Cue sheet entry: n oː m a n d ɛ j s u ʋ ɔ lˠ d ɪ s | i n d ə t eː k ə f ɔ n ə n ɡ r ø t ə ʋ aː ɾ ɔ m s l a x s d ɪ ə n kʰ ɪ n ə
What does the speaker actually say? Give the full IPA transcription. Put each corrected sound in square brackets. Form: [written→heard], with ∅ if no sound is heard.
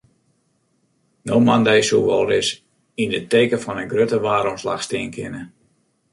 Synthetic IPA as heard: n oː m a n d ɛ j s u ʋ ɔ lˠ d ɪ s | i n d ə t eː k ə f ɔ n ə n ɡ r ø t ə ʋ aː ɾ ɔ m s l a x s [d→t] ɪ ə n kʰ ɪ n ə